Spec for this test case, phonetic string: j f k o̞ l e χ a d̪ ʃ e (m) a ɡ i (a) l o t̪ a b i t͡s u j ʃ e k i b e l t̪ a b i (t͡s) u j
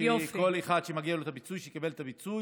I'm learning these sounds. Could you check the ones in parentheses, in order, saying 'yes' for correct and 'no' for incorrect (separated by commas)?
yes, yes, yes